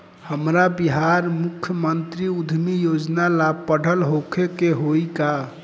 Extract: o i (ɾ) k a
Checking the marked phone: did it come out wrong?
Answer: yes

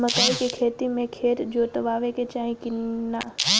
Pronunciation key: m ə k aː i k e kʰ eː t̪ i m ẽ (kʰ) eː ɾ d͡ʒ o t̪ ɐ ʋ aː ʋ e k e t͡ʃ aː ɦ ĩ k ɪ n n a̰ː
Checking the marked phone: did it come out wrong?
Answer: no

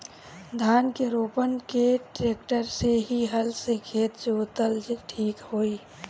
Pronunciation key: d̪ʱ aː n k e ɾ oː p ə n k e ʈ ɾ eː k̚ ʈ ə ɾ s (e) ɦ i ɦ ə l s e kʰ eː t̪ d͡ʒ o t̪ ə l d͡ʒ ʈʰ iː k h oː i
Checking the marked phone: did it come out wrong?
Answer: no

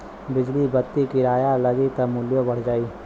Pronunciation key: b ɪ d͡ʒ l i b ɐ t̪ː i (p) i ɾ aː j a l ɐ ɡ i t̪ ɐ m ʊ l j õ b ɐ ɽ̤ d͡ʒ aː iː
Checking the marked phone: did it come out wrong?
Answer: yes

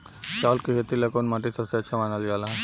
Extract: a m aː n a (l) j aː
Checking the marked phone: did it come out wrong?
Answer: no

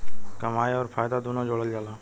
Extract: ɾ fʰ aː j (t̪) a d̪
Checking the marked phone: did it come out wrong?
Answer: yes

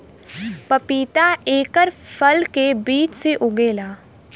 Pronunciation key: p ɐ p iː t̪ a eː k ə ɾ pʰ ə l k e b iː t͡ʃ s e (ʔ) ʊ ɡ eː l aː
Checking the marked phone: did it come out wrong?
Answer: no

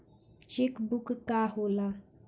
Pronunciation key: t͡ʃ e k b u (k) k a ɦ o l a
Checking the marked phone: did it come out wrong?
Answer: no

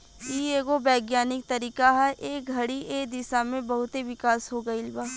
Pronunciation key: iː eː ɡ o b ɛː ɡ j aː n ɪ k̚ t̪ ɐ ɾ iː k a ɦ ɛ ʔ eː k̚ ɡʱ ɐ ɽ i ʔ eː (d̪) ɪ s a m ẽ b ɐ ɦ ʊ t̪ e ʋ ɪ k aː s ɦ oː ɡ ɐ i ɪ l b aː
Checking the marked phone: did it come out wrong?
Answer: no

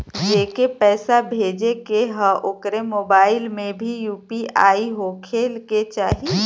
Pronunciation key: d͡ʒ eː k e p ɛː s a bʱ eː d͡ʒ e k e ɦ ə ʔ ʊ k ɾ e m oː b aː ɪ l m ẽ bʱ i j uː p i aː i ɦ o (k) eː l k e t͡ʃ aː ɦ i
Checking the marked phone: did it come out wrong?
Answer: yes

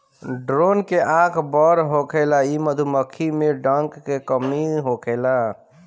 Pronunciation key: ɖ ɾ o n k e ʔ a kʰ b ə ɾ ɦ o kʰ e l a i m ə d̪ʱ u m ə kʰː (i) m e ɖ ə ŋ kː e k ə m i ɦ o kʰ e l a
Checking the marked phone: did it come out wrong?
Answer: no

